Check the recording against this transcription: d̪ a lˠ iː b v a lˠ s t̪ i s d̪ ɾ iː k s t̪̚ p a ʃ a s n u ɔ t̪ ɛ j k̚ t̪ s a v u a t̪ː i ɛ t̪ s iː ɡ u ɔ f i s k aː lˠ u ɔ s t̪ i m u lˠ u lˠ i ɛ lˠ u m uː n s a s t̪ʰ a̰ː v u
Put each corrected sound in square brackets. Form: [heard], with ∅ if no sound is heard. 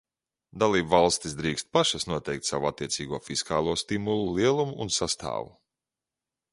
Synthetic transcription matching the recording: d̪ a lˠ iː b v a lˠ s t̪ i s d̪ ɾ iː k s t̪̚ p a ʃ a s n u ɔ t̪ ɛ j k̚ t̪ s a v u a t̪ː i ɛ t̪ s iː ɡ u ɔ f i s k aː lˠ u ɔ s t̪ i m u lˠ u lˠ i ɛ lˠ u m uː n s a s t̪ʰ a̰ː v u